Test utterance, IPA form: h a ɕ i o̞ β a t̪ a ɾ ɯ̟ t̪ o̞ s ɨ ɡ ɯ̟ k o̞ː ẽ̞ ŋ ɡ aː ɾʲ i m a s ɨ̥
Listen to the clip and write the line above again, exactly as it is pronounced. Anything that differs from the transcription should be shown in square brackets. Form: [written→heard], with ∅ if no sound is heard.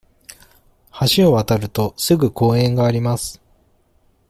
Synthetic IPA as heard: h a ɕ i o̞ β a t̪ a ɾ ɯ̟ t̪ o̞ s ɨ ɡ ɯ̟ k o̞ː ẽ̞ ŋ ɡ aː ɾʲ i m a s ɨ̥

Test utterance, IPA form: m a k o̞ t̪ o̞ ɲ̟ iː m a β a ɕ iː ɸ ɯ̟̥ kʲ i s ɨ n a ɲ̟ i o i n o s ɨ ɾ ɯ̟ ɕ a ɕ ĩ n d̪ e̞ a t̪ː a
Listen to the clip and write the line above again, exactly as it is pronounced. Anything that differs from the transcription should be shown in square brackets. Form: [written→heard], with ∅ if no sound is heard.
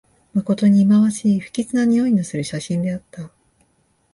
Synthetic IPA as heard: m a k o̞ t̪ o̞ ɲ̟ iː m a β a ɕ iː ɸ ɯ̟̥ kʲ i [s→t͡s] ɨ n a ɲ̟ i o i n o s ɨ ɾ ɯ̟ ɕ a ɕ ĩ n d̪ e̞ a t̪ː a

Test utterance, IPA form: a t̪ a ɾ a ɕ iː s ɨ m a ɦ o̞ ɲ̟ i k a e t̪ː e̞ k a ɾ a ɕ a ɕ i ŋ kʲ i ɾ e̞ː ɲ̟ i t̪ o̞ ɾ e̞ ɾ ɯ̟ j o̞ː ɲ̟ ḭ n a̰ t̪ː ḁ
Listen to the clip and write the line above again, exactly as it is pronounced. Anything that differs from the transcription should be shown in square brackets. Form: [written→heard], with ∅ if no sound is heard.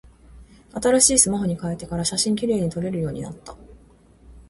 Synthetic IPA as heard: a t̪ a ɾ a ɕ iː s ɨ m a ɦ o̞ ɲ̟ i k a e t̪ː e̞ k a ɾ a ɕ a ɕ [i→ĩ] ŋ kʲ i ɾ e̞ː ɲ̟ i t̪ o̞ ɾ e̞ ɾ ɯ̟ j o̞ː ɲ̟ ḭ n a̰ t̪ː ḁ

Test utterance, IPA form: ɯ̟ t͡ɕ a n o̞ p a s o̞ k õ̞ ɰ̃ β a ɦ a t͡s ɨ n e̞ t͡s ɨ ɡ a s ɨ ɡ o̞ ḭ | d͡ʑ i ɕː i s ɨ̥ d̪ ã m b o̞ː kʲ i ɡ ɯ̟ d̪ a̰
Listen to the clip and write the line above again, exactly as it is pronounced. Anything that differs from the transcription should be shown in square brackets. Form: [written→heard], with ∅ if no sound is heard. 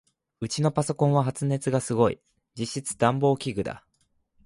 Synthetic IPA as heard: ɯ̟ t͡ɕ [a→i] n o̞ p a s o̞ k õ̞ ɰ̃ β a ɦ a t͡s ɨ n e̞ t͡s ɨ ɡ a s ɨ ɡ o̞ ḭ | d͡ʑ i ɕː i [s→t͡s] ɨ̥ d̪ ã m b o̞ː kʲ i ɡ ɯ̟ d̪ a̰

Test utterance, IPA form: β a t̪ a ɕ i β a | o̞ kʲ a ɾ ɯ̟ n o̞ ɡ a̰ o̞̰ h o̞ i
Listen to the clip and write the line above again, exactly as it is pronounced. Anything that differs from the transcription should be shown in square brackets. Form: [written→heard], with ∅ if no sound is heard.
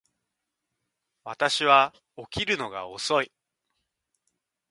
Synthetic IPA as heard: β a t̪ a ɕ i β a | o̞ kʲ [a→i] ɾ ɯ̟ n o̞ ɡ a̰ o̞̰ [h→s] o̞ i

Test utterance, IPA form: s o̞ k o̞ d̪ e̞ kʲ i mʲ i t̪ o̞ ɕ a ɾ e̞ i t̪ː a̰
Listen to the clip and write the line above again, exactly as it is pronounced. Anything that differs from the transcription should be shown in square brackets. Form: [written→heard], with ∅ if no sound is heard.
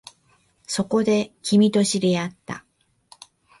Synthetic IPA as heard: s o̞ k o̞ d̪ e̞ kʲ i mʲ i t̪ o̞ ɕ [a→i] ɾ e̞ [i→a] t̪ː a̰

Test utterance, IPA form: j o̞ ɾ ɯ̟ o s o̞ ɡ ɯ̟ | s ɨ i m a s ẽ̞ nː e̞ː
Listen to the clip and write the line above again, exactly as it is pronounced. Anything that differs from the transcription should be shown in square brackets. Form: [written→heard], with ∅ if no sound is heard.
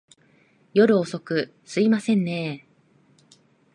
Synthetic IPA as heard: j o̞ ɾ ɯ̟ o s o̞ [ɡ→k] ɯ̟ | s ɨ i m a s ẽ̞ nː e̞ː

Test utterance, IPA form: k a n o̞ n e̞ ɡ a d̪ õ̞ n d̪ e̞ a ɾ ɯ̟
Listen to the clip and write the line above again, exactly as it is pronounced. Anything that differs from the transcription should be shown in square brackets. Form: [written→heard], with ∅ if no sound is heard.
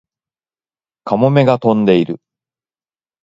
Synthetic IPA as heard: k a [n→m] o̞ [n→m] e̞ ɡ a [d̪→t̪] õ̞ n d̪ e̞ [a→i] ɾ ɯ̟

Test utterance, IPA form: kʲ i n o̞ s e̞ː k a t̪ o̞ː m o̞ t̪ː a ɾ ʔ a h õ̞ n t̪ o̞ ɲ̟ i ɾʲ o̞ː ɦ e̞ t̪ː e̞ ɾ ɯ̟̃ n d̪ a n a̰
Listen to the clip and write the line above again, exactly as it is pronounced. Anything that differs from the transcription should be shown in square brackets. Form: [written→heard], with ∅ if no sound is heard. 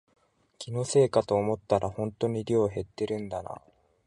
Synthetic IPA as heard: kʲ i n o̞ s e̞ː k a t̪ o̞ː m o̞ t̪ː a ɾ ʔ a h õ̞ n t̪ o̞ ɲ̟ i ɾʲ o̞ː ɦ e̞ t̪ː e̞ ɾ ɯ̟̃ n d̪ a n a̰

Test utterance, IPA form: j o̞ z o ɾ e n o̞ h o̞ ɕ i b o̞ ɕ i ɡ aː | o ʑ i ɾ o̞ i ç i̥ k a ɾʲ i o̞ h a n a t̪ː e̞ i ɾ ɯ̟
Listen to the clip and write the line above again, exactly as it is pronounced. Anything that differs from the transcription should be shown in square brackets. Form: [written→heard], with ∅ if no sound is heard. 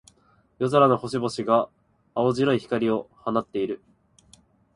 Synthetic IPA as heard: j o̞ z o ɾ [e→a] n o̞ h o̞ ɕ i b o̞ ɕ i ɡ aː | o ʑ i ɾ o̞ i ç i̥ k a ɾʲ i o̞ h a n a t̪ː e̞ i ɾ ɯ̟

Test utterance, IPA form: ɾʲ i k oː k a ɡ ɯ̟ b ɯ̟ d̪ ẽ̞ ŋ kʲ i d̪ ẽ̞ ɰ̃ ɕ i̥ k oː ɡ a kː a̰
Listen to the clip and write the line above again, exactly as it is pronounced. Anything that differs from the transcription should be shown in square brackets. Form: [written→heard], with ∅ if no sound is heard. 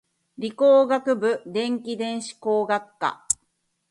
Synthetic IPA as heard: ɾʲ i k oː [k→ɡ] a [ɡ→k] ɯ̟ b ɯ̟ d̪ ẽ̞ ŋ kʲ i d̪ ẽ̞ ɰ̃ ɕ i̥ k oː ɡ a kː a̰

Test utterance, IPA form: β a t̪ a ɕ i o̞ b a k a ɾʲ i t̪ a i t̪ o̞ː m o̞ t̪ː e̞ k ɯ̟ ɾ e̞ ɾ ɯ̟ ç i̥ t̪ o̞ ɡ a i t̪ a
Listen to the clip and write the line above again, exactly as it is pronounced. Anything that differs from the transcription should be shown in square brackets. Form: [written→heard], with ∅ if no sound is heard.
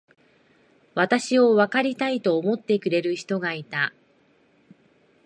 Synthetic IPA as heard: β a t̪ a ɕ i o̞ [b→β] a k a ɾʲ i t̪ a i t̪ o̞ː m o̞ t̪ː e̞ k ɯ̟ ɾ e̞ ɾ ɯ̟ ç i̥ t̪ o̞ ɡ a i t̪ a

